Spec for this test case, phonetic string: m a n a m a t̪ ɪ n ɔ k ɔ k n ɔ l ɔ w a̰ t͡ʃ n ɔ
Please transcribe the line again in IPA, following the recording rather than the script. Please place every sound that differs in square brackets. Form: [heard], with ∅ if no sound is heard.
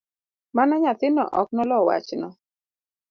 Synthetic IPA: m a n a [ɲ] a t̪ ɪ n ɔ [ʔ] ɔ k n ɔ l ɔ w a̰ t͡ʃ n ɔ